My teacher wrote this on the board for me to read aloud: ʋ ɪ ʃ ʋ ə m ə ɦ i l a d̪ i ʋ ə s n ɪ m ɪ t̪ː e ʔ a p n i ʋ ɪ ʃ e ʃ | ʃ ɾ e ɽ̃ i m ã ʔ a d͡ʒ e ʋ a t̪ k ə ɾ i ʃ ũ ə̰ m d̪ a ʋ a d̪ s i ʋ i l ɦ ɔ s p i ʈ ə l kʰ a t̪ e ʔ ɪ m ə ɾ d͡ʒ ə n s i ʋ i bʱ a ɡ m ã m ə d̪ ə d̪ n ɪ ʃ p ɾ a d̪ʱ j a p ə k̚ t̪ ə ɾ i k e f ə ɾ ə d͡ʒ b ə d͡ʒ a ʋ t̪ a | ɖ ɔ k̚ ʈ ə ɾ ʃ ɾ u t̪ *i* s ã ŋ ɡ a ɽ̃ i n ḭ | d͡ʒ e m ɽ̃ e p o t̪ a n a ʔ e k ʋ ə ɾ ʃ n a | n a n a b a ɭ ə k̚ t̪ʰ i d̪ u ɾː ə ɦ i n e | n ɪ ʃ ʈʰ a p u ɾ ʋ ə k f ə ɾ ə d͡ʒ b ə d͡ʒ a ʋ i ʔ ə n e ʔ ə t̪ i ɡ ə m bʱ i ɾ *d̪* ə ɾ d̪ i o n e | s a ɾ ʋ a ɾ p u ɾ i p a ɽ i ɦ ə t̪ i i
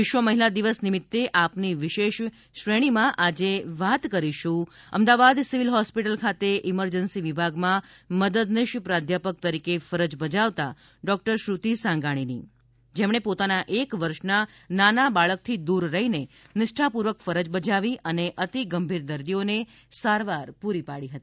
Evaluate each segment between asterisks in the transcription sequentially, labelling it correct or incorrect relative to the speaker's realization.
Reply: correct, correct

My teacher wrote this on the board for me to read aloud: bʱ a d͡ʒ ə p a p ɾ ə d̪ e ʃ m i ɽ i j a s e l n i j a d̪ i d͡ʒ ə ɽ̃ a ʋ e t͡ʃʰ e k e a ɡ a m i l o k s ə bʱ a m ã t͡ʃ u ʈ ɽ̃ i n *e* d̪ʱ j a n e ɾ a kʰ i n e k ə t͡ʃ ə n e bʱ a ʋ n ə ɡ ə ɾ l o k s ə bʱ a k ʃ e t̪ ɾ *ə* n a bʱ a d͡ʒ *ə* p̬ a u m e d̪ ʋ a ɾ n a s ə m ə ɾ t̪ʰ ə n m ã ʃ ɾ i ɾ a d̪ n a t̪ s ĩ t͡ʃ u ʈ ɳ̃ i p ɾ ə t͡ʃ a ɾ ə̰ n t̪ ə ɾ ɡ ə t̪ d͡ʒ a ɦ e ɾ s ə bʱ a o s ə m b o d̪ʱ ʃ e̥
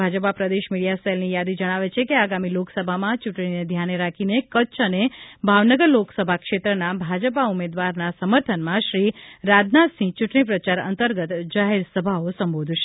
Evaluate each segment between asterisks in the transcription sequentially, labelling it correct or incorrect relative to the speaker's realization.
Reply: correct, correct, correct

